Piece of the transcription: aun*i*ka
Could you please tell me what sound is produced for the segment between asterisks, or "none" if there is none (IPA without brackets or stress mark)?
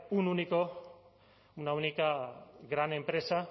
i